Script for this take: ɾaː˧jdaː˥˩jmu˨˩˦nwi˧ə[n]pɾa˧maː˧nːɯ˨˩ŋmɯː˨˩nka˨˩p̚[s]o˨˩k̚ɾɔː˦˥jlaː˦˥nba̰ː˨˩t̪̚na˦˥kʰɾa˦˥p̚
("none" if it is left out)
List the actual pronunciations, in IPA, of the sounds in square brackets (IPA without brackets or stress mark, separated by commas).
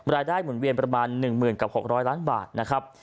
n, h